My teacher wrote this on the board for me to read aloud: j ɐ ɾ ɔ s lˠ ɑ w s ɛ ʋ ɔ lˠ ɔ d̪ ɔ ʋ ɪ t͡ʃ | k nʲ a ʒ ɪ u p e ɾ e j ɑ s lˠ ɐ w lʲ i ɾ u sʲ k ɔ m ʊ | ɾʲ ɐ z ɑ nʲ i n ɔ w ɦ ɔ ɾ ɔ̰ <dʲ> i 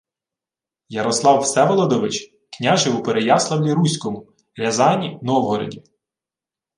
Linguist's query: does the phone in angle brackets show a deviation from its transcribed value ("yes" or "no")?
no